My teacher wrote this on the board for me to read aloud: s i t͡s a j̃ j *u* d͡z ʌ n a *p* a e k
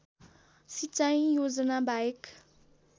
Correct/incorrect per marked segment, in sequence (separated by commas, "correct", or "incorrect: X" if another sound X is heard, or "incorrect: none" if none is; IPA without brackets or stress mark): incorrect: o, incorrect: b